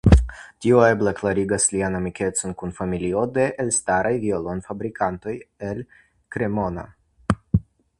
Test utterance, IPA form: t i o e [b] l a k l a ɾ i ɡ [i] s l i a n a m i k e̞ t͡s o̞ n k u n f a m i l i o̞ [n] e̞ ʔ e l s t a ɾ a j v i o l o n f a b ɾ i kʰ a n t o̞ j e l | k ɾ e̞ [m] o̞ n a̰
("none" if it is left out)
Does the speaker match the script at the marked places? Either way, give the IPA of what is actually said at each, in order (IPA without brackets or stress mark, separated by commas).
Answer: b, a, d, m